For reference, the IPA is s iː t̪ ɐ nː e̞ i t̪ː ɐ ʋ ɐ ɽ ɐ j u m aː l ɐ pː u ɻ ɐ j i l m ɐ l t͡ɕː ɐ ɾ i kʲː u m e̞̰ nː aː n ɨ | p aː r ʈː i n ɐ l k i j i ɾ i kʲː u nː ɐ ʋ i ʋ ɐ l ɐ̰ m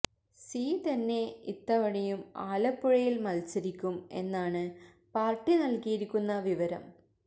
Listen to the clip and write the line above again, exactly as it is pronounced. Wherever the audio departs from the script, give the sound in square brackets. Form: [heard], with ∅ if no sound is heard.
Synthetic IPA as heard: s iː t̪ ɐ nː e̞ i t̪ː ɐ ʋ ɐ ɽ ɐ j u m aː l ɐ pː u ɻ ɐ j i l m ɐ l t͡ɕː ɐ ɾ i kʲː u m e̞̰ nː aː [ɳ] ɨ | p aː r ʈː i n ɐ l k i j i ɾ i kʲː u nː ɐ ʋ i ʋ ɐ [ɾ] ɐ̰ m